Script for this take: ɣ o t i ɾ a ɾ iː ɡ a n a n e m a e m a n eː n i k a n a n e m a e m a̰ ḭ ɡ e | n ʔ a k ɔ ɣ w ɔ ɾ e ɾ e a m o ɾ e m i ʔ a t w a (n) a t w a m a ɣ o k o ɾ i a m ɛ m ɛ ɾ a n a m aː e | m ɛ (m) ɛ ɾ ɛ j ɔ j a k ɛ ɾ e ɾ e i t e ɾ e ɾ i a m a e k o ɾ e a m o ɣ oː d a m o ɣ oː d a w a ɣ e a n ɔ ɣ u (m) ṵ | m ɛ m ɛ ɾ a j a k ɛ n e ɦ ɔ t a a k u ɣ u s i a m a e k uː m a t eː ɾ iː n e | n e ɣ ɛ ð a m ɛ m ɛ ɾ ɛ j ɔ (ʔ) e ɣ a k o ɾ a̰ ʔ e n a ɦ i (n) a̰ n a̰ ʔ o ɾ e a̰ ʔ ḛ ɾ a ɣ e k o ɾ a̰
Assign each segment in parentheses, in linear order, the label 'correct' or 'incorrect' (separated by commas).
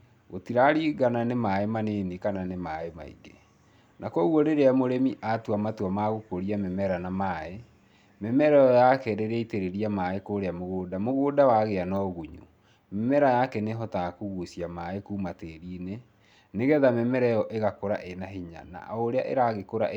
incorrect, correct, incorrect, correct, incorrect